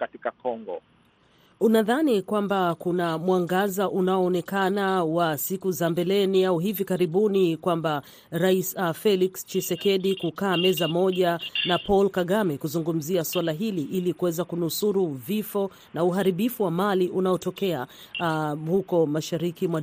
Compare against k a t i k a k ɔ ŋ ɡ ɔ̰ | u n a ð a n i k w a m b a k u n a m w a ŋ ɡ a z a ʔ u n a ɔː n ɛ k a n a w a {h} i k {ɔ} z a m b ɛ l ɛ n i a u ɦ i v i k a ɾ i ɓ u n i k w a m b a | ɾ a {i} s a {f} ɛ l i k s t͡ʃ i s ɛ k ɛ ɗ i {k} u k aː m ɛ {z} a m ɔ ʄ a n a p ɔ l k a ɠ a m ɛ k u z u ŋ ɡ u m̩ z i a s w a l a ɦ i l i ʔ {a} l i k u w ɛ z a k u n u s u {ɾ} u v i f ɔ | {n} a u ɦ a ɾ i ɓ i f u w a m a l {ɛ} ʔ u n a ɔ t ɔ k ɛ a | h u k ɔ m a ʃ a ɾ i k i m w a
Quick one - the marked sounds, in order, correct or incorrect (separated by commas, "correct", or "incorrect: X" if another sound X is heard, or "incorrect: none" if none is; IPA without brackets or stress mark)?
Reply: incorrect: s, incorrect: u, correct, correct, correct, correct, incorrect: i, correct, correct, incorrect: i